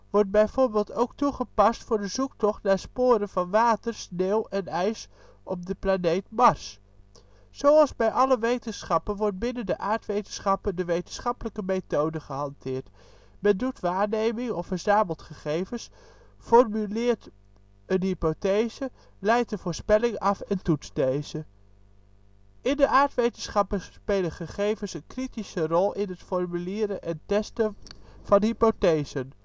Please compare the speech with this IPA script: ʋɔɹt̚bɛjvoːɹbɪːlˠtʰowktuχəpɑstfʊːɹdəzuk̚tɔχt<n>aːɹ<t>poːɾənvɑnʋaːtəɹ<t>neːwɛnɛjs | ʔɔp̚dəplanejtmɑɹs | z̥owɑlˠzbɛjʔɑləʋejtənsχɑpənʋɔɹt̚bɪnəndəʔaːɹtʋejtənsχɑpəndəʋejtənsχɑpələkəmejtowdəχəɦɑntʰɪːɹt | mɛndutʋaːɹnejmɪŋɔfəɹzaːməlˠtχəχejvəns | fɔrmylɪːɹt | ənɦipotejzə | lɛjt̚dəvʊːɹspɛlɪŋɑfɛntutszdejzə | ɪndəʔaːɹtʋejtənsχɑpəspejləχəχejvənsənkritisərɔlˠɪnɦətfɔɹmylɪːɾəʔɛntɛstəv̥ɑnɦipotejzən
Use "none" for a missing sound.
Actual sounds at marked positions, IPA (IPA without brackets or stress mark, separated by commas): n, s, s